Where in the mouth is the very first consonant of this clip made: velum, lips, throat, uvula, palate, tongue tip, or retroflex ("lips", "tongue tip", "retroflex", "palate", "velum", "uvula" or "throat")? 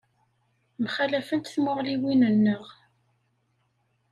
lips